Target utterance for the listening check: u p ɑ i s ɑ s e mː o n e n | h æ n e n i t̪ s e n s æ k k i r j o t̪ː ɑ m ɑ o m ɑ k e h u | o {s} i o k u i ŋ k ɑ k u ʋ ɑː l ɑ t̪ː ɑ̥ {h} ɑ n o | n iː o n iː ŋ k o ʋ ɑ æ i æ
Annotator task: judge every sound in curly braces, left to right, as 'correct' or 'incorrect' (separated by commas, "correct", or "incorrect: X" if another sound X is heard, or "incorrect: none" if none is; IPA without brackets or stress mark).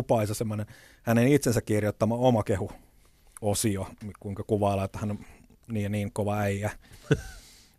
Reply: correct, correct